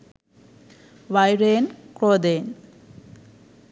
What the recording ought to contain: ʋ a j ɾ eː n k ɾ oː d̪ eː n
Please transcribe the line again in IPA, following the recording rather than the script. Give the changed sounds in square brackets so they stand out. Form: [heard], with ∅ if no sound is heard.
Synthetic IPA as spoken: ʋ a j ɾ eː n k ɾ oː d̪ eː n